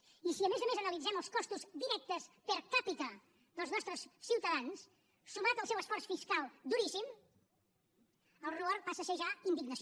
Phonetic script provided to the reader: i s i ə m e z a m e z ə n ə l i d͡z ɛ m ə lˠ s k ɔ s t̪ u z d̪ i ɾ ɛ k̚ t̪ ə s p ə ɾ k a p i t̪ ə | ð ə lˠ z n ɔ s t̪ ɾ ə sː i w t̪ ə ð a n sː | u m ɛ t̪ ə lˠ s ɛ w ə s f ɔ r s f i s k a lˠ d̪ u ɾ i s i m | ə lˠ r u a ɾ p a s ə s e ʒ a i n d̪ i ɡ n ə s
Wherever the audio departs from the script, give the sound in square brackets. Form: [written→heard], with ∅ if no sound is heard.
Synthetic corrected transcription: i s i ə m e z [a→ə] m e z ə n ə l i d͡z ɛ m ə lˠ s k ɔ s t̪ u z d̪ i ɾ ɛ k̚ t̪ ə s p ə ɾ k a p i t̪ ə | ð ə lˠ z n ɔ s t̪ ɾ ə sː i w t̪ ə ð a n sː | u m [ɛ→a] t̪ ə lˠ s ɛ w ə s f ɔ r s f i s k a lˠ d̪ u ɾ i s i m | ə lˠ r u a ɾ p a s ə s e ʒ a i n d̪ i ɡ n ə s